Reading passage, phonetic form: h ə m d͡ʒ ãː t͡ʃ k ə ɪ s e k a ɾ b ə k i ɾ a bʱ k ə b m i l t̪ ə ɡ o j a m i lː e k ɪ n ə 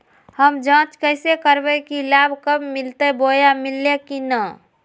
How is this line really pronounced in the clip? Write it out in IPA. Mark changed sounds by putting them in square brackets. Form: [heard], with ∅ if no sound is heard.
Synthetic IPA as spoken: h ə m d͡ʒ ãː t͡ʃ k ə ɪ s e k [ə] ɾ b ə k i [l] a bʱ k ə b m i l t̪ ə [b] o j a m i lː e k [i] n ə